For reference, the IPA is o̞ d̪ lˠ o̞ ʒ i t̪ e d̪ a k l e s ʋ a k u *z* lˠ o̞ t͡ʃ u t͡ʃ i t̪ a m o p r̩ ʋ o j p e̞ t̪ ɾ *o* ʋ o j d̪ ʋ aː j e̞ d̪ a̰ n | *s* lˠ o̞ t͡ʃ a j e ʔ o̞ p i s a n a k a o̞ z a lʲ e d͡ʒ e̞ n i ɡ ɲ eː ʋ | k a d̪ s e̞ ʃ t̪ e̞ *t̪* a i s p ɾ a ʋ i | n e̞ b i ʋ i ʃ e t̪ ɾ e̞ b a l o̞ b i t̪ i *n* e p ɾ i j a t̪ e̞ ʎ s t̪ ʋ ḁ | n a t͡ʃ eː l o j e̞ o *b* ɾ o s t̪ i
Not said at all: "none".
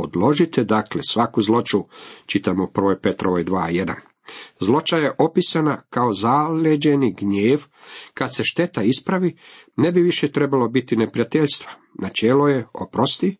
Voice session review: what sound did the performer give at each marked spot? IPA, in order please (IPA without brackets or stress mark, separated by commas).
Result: z, o, z, t̪, n, p